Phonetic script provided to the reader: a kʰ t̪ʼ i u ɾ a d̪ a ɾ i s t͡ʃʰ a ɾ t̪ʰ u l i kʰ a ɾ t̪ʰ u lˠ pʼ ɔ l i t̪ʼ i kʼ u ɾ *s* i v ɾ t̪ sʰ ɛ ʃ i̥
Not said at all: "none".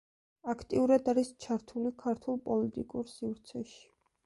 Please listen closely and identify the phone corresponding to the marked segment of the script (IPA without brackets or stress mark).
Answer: s